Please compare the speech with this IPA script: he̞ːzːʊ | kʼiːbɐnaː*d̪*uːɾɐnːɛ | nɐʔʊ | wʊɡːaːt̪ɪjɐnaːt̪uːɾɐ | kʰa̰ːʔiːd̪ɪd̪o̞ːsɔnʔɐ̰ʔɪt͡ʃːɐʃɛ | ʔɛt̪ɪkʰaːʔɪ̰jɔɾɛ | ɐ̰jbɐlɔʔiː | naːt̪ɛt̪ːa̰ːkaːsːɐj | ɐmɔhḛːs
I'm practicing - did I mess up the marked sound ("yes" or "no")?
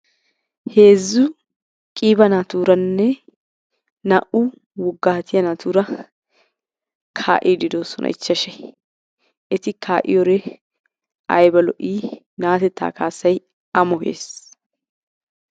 yes